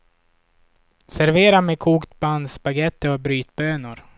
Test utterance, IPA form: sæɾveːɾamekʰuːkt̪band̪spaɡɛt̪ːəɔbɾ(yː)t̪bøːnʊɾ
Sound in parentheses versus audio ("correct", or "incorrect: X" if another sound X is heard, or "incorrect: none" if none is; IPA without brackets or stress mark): correct